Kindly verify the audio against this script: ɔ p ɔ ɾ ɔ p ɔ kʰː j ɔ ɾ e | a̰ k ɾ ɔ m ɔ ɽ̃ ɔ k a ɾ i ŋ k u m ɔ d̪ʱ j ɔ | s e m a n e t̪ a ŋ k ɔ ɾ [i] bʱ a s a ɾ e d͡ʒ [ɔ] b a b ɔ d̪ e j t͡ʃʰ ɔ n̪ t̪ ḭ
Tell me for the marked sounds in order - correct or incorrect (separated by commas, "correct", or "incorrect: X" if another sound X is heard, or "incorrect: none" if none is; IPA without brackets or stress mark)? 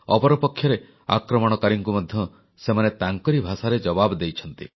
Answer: correct, correct